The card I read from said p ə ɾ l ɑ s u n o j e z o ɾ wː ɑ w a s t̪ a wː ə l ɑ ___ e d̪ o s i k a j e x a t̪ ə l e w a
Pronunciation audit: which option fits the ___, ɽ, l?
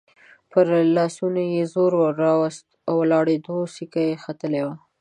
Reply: ɽ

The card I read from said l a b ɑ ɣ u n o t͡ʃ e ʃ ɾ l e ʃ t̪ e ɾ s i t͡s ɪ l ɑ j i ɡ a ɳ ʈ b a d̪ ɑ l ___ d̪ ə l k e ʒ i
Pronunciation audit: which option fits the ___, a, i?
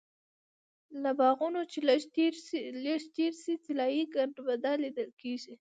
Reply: i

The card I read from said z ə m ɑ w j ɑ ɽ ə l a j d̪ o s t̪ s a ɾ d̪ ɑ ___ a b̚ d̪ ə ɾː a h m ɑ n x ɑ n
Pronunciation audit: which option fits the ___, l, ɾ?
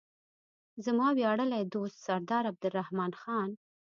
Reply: ɾ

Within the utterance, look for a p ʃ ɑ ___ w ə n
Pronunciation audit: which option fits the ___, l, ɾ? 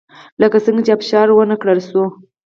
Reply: ɾ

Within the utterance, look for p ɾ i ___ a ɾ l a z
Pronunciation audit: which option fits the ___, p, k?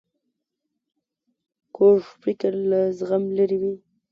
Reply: k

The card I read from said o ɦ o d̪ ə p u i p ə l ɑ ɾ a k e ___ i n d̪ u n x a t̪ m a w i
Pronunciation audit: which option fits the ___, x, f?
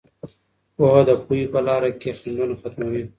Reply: x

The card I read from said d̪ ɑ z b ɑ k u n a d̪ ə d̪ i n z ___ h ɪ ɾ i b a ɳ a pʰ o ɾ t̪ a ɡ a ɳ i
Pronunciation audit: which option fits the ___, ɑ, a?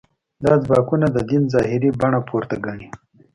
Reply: ɑ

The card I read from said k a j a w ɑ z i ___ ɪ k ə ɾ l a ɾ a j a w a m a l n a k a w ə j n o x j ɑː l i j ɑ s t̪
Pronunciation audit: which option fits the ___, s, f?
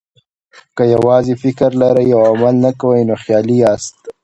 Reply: f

